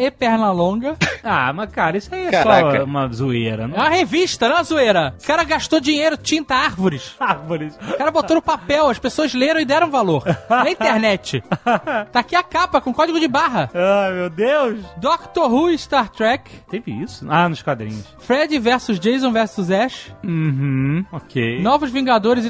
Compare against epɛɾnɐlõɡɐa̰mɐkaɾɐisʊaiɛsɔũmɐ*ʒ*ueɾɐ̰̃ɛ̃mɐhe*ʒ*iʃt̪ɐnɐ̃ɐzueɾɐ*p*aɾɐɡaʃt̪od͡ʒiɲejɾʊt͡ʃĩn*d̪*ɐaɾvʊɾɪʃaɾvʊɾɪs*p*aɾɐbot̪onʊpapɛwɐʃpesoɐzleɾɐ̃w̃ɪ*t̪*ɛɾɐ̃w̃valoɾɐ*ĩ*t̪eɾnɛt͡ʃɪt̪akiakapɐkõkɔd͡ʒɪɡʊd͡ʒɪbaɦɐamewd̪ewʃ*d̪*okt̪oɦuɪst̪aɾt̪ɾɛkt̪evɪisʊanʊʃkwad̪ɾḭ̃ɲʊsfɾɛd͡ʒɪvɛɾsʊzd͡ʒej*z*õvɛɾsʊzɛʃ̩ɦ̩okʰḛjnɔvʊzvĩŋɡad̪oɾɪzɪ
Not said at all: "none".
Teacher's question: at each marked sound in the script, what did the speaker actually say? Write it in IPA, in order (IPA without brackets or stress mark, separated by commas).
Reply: z, v, k, t̪, k, d̪, ĩ, d̪, z